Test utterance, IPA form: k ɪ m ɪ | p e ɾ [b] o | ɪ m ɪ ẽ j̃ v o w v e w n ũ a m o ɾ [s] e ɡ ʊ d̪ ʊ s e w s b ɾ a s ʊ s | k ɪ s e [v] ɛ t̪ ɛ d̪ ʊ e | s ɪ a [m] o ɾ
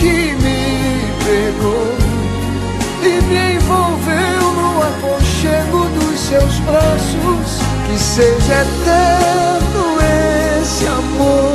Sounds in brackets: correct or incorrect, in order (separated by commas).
incorrect, incorrect, incorrect, correct